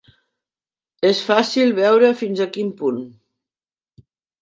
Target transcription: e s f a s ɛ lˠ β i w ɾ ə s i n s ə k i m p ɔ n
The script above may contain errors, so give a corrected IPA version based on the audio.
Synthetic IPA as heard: e s f a s i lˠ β ɛ w ɾ ə f i n z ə k i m p u n